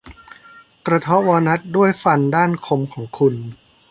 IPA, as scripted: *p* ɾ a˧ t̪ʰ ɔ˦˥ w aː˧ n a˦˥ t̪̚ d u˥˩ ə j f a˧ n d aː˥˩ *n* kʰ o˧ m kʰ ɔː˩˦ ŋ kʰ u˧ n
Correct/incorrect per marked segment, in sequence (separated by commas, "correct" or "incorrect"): incorrect, correct